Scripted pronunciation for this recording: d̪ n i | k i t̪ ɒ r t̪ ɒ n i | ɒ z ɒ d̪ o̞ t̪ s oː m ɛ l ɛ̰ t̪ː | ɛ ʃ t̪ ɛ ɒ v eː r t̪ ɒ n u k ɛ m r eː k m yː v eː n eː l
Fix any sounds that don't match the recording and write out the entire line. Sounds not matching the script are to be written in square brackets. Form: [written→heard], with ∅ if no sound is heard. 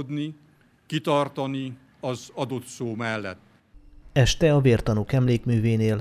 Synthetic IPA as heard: d̪ n i | k i t̪ ɒ r t̪ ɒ n i | ɒ z ɒ d̪ o̞ t̪ s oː m ɛ [l→lː] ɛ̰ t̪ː | ɛ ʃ t̪ ɛ ɒ v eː r t̪ ɒ n u k ɛ m [r→l] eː k m yː v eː n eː l